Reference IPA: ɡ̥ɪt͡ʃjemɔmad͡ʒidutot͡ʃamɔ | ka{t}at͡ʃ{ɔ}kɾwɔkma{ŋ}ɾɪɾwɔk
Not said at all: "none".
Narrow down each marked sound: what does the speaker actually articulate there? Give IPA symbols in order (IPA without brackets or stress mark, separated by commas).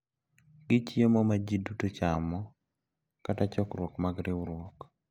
t, ɔ, ɡ